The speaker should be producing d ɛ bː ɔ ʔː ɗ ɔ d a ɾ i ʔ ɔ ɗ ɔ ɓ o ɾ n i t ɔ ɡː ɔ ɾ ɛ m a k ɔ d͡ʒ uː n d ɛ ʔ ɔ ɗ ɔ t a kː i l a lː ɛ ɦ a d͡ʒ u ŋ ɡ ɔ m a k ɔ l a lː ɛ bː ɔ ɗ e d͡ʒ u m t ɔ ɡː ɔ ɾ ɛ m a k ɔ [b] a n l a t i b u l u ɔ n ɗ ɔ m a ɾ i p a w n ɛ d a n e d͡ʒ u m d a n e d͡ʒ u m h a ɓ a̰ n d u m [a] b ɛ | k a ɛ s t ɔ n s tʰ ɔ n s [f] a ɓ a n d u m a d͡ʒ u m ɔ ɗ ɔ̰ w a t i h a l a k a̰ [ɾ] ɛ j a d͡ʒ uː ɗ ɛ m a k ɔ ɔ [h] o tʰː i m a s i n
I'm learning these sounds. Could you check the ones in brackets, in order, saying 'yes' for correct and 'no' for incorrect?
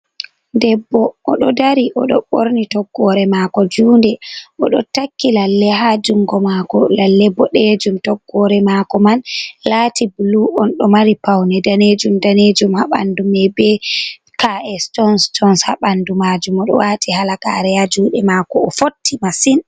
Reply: no, no, no, yes, no

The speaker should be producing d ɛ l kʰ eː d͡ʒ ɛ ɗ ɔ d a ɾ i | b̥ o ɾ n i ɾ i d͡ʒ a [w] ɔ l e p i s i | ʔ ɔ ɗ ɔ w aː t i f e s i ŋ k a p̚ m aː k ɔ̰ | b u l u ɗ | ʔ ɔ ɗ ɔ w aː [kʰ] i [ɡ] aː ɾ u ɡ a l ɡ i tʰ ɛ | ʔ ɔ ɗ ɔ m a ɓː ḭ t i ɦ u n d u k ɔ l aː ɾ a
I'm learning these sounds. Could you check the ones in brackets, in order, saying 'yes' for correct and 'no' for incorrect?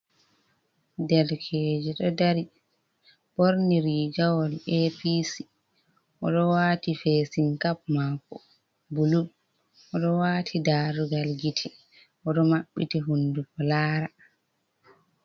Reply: yes, no, no

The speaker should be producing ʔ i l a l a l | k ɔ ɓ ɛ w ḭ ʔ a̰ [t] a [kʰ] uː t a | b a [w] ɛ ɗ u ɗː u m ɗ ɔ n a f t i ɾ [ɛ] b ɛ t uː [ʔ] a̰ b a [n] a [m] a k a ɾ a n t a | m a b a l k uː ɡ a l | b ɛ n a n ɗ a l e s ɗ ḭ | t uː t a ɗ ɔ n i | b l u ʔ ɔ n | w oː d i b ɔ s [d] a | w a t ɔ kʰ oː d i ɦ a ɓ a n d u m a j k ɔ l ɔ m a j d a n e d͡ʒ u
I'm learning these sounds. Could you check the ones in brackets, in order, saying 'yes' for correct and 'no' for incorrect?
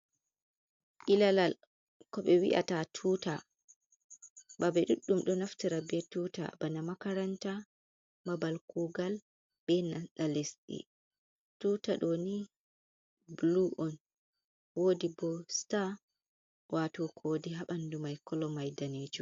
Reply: yes, no, no, no, no, yes, yes, no

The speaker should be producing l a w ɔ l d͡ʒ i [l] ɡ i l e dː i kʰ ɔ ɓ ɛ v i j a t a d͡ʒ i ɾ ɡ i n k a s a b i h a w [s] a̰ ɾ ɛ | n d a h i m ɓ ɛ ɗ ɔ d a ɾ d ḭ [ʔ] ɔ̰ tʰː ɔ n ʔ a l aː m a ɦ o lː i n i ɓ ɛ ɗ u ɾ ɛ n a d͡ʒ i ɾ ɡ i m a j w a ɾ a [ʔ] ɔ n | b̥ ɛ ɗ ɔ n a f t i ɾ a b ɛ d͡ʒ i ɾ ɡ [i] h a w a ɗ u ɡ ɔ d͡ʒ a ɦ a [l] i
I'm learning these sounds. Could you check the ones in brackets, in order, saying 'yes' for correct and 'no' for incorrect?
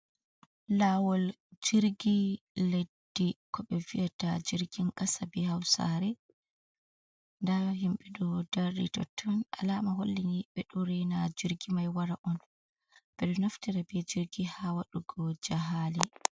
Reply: no, yes, no, yes, yes, yes

